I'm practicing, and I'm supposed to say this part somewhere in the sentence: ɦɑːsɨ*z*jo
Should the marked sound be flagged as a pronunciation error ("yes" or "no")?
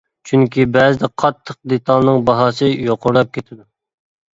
yes